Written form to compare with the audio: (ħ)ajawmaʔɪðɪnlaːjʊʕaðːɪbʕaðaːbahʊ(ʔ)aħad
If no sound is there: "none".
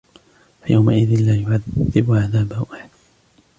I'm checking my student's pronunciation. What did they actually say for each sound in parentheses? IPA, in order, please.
f, ʔ

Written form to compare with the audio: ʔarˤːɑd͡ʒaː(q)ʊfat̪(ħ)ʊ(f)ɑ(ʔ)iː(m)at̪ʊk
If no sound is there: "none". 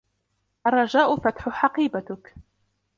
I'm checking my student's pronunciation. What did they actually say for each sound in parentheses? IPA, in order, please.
ʔ, ħ, ħ, q, b

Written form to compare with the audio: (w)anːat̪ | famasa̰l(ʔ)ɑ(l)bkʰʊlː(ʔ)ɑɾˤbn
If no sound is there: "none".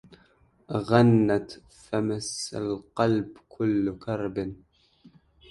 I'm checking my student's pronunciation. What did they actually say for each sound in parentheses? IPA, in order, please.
ɣ, q, l, k

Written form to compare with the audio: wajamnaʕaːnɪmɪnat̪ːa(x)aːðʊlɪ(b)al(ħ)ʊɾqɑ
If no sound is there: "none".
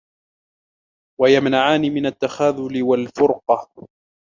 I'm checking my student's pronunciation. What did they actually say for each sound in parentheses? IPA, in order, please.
x, w, f

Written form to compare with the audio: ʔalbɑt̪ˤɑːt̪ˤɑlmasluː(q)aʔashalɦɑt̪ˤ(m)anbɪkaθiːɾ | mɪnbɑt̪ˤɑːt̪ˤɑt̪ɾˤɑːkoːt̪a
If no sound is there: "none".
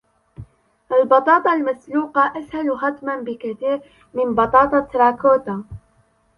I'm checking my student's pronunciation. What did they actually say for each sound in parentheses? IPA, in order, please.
q, m

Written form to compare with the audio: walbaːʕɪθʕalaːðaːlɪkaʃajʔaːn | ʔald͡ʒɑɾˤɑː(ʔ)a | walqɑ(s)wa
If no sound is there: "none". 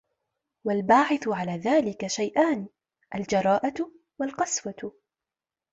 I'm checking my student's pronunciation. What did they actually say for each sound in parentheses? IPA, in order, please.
ʔ, s

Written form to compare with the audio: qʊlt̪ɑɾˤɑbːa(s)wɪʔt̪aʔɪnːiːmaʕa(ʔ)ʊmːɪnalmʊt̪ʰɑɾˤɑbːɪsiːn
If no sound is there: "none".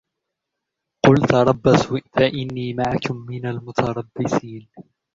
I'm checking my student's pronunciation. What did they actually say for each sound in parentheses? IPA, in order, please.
s, k

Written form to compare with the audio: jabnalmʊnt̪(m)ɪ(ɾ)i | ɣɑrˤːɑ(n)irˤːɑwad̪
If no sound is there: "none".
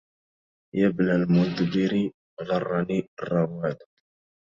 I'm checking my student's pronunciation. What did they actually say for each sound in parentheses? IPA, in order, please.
b, ɾ, n

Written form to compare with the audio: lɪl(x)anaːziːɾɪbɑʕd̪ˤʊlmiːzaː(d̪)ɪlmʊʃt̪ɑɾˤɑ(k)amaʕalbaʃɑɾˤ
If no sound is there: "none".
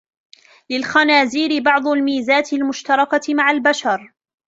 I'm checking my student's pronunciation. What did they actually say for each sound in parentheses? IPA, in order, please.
x, t̪, k

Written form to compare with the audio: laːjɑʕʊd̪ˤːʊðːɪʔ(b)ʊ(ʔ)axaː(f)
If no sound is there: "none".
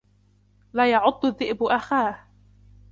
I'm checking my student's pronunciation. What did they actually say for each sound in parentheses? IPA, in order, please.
b, ʔ, h

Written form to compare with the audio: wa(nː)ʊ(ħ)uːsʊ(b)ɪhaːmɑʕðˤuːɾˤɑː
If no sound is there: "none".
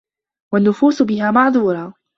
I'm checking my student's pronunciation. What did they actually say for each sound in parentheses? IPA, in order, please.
nː, f, b

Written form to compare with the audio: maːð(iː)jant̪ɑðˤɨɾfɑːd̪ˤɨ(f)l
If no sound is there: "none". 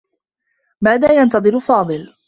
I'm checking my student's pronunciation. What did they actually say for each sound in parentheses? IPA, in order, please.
aː, none

